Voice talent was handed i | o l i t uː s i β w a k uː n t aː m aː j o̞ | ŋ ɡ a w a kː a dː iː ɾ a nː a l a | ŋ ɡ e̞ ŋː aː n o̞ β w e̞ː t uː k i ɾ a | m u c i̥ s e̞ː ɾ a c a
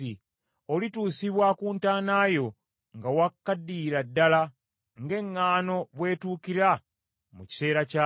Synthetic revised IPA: i | o l i t uː s i β w a k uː n t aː n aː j o̞ | ŋ ɡ a w a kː a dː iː ɾ a dː a l a | ŋ ɡ e̞ ŋː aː n o̞ β w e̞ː t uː k i ɾ a | m u c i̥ s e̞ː ɾ a c a